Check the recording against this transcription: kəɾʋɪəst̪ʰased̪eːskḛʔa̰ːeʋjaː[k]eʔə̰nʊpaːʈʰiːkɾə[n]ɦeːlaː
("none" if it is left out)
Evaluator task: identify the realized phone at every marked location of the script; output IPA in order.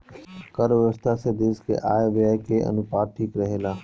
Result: k, none

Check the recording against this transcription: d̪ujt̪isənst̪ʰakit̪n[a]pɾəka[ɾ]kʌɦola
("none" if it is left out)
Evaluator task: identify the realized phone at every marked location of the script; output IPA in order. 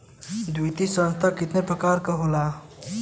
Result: e, ɾ

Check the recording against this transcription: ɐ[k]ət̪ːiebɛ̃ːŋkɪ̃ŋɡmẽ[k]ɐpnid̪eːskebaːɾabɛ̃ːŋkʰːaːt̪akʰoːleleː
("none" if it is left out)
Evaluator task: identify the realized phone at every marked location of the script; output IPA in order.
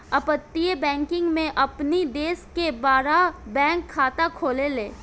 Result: p, ʔ

